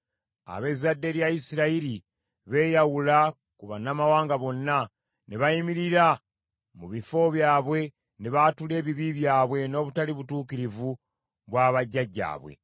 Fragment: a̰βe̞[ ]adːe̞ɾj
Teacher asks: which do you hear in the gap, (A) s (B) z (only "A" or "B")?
B